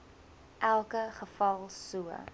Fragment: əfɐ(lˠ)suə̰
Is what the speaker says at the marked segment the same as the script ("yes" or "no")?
yes